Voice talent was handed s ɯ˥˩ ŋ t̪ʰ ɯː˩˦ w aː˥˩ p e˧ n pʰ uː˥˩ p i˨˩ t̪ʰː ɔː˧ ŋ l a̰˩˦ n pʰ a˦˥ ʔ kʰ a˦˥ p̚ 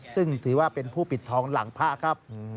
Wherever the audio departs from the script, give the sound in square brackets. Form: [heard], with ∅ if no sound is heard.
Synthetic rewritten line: s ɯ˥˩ ŋ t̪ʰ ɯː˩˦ w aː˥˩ p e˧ n pʰ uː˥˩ p i˨˩ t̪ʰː ɔː˧ ŋ l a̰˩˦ [ŋ] pʰ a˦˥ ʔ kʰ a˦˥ p̚